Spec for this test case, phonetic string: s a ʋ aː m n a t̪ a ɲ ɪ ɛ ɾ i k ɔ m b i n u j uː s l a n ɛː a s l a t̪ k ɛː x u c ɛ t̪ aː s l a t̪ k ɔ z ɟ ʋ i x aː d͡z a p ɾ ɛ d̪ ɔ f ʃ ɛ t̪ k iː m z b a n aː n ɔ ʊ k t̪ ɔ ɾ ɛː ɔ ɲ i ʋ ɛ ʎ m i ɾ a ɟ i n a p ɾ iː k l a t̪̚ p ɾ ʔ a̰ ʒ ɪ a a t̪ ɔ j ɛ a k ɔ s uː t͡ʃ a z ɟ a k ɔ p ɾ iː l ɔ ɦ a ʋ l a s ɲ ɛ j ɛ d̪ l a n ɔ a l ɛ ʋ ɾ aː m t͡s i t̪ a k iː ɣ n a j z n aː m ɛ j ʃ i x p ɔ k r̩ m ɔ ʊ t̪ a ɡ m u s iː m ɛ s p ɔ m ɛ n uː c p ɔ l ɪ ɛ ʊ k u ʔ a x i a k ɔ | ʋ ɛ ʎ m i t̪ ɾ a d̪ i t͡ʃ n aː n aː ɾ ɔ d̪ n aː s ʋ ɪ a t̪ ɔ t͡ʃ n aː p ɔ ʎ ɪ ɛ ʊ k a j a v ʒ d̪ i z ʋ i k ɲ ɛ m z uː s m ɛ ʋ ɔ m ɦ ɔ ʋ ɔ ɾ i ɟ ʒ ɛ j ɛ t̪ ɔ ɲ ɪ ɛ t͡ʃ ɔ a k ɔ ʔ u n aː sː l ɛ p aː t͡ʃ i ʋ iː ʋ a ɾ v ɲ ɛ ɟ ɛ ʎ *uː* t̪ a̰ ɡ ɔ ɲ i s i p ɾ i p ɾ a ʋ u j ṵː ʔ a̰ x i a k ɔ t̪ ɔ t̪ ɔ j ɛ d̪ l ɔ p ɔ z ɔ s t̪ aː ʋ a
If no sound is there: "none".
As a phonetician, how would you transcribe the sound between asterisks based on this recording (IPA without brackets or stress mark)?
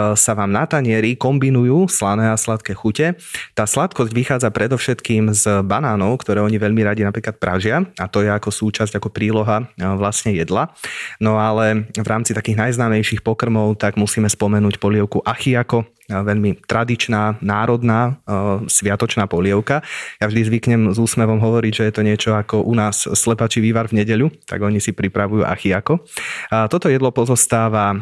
u